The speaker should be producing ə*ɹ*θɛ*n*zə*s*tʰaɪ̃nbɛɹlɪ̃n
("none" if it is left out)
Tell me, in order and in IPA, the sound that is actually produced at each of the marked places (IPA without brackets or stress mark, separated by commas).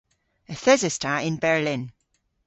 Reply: none, none, s